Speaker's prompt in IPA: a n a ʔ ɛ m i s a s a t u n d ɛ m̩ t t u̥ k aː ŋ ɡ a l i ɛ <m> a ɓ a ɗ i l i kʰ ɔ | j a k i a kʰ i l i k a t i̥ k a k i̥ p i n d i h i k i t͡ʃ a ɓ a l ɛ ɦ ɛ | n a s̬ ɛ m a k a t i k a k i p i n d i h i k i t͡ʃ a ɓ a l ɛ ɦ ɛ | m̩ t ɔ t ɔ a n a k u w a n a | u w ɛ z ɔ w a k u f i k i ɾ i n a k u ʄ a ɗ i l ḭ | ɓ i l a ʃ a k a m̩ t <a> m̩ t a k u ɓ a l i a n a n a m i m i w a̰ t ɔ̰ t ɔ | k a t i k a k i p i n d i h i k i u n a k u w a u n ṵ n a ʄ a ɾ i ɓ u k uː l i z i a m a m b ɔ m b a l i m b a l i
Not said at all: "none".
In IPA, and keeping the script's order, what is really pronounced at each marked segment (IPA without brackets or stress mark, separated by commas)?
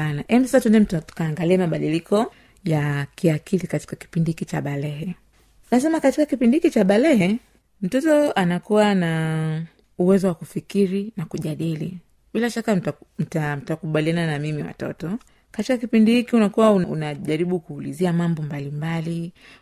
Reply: m, a